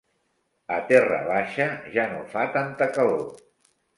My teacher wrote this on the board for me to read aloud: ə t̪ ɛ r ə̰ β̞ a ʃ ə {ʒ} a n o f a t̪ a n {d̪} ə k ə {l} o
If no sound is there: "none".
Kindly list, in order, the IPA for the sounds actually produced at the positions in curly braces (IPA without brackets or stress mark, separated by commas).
ʒ, t̪, l